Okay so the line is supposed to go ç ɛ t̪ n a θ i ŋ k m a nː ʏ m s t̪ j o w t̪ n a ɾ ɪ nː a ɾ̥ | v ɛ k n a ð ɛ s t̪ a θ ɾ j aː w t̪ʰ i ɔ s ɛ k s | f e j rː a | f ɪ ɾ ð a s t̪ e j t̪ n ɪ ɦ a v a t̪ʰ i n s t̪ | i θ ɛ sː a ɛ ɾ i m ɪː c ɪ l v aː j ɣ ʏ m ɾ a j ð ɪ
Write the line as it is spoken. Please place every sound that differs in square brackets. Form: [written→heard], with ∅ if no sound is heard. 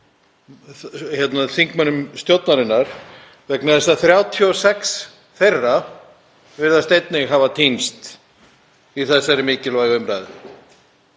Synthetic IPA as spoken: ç ɛ t̪ n a θ i ŋ k m a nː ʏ m s t̪ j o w t̪ n a ɾ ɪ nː a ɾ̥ | v ɛ k n a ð ɛ s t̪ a θ ɾ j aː w t̪ʰ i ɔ s ɛ k s | [f→θ] e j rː a | [f→v] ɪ ɾ ð a s t̪ e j t̪ n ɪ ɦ a v a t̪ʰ i n s t̪ | i θ ɛ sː a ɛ ɾ [i→ɪ] m ɪː c ɪ l v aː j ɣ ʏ m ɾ a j ð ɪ